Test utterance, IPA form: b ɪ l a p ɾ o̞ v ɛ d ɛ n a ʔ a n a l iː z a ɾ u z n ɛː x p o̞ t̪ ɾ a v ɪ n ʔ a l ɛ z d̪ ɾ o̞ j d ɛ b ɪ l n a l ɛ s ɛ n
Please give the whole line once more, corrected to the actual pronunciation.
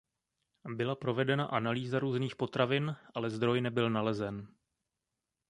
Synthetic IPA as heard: b ɪ l a p ɾ o̞ v ɛ d ɛ n a ʔ a n a l iː z a ɾ uː z n iː x p o̞ t̪ ɾ a v ɪ n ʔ a l ɛ z d̪ ɾ o̞ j n ɛ b ɪ l n a l ɛ z ɛ n